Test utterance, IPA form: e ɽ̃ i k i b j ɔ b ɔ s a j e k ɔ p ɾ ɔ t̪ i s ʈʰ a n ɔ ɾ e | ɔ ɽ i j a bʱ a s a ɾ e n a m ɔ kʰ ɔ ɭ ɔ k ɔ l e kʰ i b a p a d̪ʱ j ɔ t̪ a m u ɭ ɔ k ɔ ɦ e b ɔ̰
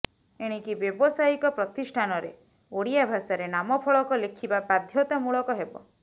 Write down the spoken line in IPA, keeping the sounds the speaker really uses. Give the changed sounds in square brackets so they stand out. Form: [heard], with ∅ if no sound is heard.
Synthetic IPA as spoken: e ɽ̃ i k i b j ɔ b ɔ s a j [i] k ɔ p ɾ ɔ t̪ i s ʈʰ a n ɔ ɾ e | [o] ɽ i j a bʱ a s a ɾ e n a m ɔ [pʰ] ɔ ɭ ɔ k ɔ l e kʰ i b a p a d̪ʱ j ɔ t̪ a m u ɭ ɔ k ɔ ɦ e b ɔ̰